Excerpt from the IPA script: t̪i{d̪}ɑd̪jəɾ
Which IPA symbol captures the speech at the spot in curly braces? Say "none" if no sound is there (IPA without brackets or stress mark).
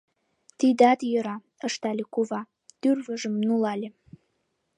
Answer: d̪